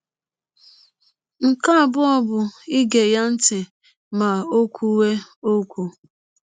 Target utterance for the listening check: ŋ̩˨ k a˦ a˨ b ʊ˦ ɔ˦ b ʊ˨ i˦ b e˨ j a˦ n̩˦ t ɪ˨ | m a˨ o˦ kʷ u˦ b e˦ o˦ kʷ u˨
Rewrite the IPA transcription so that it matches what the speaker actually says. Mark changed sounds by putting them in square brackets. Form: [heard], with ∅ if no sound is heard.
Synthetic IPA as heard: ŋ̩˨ k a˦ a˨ b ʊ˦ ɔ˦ b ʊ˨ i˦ [ɡ] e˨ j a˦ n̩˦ t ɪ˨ | m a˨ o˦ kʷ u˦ [w] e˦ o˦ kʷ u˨

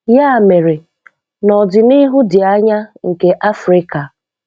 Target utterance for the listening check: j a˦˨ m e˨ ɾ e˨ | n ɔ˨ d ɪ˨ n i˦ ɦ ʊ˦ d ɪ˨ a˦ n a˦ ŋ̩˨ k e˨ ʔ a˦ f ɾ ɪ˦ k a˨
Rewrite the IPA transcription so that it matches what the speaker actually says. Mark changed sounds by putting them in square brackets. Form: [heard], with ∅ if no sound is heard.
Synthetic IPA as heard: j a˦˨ m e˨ ɾ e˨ | n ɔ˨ d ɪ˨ n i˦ ɦ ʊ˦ d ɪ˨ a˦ [ɲ] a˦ ŋ̩˨ k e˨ ʔ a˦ f ɾ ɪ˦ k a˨

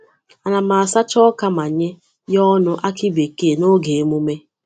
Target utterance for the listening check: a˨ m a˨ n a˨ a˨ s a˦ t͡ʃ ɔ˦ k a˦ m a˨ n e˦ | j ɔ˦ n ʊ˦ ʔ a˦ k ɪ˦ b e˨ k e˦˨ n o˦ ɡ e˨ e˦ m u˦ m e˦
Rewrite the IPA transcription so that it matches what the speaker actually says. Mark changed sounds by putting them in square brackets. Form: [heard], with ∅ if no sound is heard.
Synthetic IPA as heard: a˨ [n] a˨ [m] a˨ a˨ s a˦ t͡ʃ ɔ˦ k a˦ m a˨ [ɲ] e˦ | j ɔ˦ n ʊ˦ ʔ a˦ k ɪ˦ b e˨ k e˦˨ n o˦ ɡ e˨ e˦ m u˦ m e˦

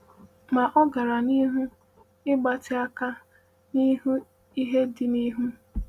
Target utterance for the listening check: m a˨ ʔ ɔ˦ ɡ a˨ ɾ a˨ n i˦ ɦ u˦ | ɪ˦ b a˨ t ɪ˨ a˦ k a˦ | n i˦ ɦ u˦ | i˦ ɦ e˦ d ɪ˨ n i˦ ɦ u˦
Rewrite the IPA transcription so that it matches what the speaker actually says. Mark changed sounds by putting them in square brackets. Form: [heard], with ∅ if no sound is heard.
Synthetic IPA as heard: m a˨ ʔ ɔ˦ ɡ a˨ ɾ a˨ n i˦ ɦ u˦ | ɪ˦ [ɡ͡b] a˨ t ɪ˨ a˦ k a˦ | n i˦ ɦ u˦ | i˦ ɦ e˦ d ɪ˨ n i˦ ɦ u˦

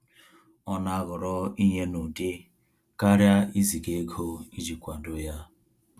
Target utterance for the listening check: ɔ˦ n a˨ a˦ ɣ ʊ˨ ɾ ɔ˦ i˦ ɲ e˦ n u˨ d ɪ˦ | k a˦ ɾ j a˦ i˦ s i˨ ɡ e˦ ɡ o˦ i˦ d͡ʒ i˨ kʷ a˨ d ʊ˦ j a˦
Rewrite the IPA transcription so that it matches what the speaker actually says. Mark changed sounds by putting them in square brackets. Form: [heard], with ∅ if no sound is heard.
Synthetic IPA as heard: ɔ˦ n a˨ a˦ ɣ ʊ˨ ɾ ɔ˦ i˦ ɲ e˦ n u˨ d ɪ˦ | k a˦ ɾ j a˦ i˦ [z] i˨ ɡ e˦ ɡ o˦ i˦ d͡ʒ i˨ kʷ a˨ d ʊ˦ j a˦

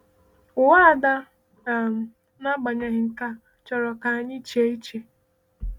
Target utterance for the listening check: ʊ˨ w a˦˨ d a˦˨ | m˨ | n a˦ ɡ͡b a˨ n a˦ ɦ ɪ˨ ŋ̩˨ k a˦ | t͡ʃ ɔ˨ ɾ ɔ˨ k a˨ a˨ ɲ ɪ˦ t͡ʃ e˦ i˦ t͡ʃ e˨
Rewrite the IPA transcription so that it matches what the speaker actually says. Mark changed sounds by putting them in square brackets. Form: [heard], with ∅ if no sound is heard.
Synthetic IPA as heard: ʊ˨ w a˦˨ d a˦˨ | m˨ | n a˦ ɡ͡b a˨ [ɲ] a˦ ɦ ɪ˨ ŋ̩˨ k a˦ | t͡ʃ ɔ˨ ɾ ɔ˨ k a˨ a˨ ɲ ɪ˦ t͡ʃ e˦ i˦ t͡ʃ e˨

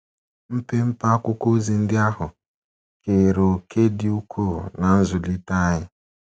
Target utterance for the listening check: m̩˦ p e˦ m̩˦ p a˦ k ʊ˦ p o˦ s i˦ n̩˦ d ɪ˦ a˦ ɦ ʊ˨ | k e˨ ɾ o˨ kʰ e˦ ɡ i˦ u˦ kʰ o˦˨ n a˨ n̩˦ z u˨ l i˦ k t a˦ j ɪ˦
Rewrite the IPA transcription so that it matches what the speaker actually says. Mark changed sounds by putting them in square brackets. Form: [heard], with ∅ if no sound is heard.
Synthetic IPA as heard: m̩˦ p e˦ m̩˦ p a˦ k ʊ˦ [k] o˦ [z] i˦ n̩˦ d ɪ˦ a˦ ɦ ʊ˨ | k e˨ ɾ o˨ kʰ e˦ [d] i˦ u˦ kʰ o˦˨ n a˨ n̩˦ z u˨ l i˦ [∅] t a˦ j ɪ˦

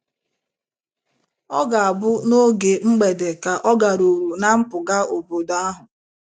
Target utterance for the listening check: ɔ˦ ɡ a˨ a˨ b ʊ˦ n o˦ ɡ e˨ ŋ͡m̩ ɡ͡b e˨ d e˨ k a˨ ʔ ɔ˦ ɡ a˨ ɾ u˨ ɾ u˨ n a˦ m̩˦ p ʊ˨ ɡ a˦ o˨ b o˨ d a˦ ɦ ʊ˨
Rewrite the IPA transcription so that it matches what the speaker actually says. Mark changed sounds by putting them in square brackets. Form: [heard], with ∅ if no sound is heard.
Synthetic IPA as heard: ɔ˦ ɡ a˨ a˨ b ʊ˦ n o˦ ɡ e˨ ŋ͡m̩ ɡ͡b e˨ d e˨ k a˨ ʔ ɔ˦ ɡ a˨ ɾ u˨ ɾ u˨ n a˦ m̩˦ p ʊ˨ ɡ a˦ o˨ b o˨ d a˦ ɦ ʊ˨

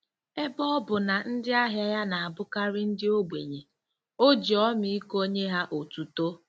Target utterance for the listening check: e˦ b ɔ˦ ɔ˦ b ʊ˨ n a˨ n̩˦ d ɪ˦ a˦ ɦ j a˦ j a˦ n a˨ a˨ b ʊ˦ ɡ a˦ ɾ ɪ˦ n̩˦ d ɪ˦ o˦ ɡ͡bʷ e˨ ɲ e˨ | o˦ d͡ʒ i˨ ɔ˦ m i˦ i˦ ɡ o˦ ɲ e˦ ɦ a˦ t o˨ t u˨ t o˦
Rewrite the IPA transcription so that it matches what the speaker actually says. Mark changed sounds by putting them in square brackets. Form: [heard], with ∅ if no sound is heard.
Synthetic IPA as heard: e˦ b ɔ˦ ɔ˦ b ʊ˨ n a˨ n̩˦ d ɪ˦ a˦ ɦ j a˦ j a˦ n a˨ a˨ b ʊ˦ [k] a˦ ɾ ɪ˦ n̩˦ d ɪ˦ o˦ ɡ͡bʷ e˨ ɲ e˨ | o˦ d͡ʒ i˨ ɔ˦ m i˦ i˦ [k] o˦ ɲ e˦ ɦ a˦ [ʔ] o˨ t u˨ t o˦

